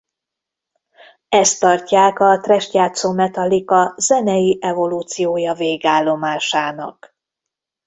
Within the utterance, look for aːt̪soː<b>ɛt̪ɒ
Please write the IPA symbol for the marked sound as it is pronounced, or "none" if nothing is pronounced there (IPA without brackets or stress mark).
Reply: m